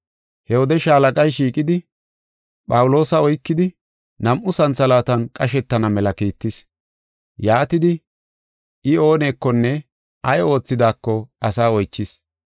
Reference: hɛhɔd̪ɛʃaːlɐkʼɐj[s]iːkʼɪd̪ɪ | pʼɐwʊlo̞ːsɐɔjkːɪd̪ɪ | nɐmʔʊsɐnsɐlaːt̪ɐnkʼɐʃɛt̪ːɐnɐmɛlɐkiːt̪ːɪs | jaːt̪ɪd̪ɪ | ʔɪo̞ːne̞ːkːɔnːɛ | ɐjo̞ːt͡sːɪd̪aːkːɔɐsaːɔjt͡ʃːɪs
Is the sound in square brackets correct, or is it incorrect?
incorrect